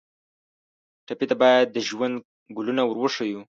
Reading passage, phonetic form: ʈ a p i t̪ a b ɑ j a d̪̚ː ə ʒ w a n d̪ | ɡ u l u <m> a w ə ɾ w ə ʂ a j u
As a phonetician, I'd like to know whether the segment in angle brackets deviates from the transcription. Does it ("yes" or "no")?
yes